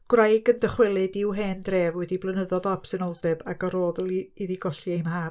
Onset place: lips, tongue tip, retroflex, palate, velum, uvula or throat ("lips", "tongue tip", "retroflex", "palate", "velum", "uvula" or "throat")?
velum